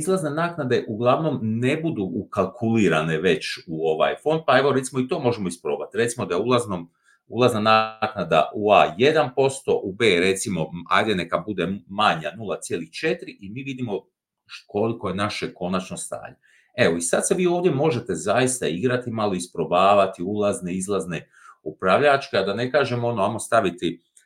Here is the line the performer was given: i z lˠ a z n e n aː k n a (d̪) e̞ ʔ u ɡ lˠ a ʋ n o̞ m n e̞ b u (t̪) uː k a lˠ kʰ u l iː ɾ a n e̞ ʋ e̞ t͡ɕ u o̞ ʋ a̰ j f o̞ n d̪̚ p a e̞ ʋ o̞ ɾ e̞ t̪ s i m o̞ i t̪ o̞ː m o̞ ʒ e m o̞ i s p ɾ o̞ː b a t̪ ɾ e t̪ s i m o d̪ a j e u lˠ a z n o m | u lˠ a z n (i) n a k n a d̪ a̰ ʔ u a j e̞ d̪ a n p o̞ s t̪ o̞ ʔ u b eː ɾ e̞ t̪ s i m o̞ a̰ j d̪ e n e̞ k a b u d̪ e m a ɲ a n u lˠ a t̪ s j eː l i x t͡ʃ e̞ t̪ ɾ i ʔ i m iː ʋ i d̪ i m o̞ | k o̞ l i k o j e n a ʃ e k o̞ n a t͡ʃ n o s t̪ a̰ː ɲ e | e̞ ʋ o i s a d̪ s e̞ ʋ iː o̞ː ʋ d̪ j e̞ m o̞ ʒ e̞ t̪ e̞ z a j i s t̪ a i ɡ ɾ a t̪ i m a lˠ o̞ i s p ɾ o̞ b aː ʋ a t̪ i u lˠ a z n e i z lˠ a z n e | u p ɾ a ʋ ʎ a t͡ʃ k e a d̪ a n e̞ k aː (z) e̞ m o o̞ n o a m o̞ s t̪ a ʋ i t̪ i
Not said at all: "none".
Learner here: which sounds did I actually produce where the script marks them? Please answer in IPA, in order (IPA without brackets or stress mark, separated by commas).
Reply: d̪, d̪, a, ʒ